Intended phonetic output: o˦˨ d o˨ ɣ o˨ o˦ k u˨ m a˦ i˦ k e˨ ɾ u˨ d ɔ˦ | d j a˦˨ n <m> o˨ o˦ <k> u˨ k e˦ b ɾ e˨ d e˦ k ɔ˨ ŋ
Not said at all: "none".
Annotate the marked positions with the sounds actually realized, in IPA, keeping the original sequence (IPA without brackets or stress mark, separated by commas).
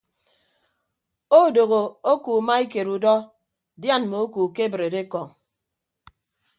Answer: m, k